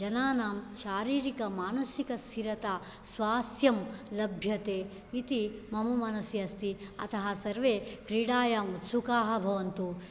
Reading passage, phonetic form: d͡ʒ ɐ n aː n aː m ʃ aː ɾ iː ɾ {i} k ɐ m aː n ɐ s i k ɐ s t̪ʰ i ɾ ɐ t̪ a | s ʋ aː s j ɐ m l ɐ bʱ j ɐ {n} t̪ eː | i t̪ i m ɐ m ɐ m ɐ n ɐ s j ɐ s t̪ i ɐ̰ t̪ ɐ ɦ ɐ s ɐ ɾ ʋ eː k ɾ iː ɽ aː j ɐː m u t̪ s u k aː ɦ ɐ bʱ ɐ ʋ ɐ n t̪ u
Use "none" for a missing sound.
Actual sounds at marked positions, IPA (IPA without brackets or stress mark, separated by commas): i, none